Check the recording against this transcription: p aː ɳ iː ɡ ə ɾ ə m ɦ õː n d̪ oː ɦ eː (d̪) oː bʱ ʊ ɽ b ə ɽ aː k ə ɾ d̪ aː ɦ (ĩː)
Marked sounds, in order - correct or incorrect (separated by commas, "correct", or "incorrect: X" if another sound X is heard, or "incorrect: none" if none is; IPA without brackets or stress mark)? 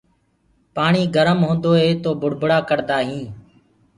incorrect: t̪, correct